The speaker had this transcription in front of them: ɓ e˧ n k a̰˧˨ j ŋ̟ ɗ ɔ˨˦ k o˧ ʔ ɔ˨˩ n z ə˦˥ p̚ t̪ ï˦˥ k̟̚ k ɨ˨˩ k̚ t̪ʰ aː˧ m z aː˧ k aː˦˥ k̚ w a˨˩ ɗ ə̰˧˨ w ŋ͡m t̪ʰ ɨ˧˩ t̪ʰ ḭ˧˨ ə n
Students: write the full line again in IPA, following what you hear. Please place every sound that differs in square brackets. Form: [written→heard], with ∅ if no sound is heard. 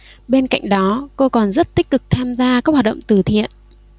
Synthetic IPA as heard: ɓ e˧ n k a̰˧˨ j ŋ̟ ɗ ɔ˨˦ k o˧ [ʔ→k] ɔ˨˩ n z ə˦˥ [p̚→t̚] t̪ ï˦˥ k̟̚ k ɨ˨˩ k̚ t̪ʰ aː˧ m z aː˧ k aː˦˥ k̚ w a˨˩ ɗ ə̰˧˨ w ŋ͡m [t̪ʰ→t̪] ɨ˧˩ t̪ʰ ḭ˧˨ ə n